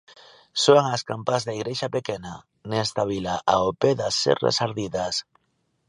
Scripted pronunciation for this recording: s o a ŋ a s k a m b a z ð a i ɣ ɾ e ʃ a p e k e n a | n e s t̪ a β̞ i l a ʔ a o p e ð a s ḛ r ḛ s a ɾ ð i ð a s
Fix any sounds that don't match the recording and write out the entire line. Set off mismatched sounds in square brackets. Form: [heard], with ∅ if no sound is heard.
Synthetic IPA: s o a ŋ a s k a m [p] a z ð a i ɣ ɾ e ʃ a p e k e n a | n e s t̪ a β̞ i l a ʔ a o p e ð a s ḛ r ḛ s a ɾ ð i ð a s